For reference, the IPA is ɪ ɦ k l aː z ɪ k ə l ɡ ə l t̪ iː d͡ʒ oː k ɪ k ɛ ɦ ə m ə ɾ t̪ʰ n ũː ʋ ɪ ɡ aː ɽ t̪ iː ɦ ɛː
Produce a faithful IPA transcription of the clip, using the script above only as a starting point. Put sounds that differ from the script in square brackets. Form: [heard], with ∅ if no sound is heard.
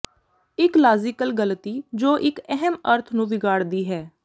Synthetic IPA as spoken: ɪ [∅] k l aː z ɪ k ə l ɡ ə l t̪ iː d͡ʒ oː [ʔ] ɪ k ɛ ɦ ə m ə ɾ t̪ʰ n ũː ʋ ɪ ɡ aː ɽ [d̪] iː ɦ ɛː